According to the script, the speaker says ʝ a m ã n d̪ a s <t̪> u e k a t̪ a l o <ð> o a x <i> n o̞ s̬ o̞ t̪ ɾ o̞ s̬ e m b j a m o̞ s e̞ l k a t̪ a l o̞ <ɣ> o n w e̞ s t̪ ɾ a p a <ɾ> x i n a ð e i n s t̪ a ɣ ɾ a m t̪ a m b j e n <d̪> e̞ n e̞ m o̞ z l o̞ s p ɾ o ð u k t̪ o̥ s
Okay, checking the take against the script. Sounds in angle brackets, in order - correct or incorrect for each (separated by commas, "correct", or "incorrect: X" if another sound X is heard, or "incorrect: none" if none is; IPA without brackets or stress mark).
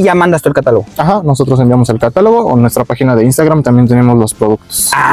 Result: correct, incorrect: ɣ, incorrect: a, correct, incorrect: none, incorrect: t̪